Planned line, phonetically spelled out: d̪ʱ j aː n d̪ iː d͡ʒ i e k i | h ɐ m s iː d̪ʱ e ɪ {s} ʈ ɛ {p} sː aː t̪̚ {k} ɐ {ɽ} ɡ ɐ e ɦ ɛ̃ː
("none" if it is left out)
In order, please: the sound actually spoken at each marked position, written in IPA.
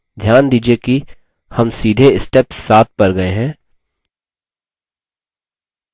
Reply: s, p, p, ɾ

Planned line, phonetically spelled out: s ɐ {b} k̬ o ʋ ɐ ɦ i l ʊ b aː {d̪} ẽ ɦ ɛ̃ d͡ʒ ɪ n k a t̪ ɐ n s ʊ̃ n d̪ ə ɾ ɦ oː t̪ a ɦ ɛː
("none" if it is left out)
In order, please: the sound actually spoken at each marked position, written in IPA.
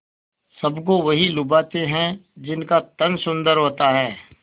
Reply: b, t̪

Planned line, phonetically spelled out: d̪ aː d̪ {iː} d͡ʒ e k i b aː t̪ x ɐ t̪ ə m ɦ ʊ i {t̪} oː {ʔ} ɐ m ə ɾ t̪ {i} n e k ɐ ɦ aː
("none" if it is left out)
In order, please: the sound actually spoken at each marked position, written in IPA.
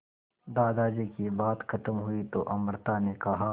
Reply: aː, t̪, ʔ, a

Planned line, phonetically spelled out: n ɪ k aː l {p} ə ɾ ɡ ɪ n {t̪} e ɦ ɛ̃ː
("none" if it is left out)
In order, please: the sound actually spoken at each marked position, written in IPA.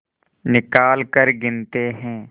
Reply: k, t̪

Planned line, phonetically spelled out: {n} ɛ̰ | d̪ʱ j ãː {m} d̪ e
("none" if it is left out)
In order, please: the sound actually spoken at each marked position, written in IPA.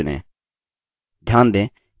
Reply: n, n

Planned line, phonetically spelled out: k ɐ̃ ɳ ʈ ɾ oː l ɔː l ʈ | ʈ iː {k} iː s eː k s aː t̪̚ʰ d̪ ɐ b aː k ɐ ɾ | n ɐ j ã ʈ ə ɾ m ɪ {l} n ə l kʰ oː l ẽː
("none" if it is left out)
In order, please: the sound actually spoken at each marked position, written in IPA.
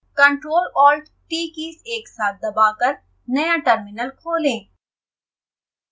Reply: k, none

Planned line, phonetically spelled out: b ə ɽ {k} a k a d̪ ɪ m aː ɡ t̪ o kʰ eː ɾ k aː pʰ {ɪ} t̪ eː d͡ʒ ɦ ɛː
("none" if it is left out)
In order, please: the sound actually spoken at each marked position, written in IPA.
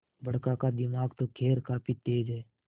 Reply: k, i

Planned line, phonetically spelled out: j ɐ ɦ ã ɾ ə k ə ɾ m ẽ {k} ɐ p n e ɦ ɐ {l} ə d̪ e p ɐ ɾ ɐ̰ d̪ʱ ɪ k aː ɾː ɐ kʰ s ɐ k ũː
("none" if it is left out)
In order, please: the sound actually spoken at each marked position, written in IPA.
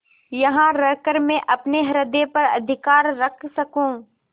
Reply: ʔ, ɾ

